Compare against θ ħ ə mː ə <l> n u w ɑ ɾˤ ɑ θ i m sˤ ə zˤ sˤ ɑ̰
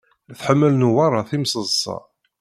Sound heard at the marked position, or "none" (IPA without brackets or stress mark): l